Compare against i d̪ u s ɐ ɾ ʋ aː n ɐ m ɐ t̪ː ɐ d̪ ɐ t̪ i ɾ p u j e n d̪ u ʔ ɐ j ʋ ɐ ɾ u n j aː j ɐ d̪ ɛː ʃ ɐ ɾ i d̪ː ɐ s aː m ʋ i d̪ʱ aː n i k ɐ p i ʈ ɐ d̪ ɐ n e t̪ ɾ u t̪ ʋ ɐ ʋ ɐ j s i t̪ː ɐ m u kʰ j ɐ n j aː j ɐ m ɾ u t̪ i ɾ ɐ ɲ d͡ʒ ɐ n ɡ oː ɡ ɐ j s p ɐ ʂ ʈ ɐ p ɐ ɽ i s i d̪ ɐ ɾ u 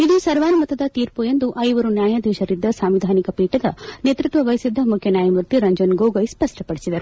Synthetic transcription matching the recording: i d̪ u s ɐ ɾ ʋ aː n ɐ m ɐ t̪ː ɐ d̪ ɐ t̪ iː ɾ p u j e n d̪ u ʔ ɐ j ʋ ɐ ɾ u n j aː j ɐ d̪ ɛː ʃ ɐ ɾ i d̪ː ɐ s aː m ʋ i d̪ʱ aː n i k ɐ p iː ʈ ɐ d̪ ɐ n e t̪ ɾ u t̪ ʋ ɐ ʋ ɐ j s i d̪ː ɐ m u kʰ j ɐ n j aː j ɐ m ɾ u t̪ i ɾ ɐ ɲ d͡ʒ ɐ n ɡ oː ɡ ɐ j s p ɐ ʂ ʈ ɐ p ɐ ɽ i s i d̪ ɐ ɾ u